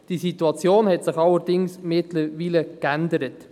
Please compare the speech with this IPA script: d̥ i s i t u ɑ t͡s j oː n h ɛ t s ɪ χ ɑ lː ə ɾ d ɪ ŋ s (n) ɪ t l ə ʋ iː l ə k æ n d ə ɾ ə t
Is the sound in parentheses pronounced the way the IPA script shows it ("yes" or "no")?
no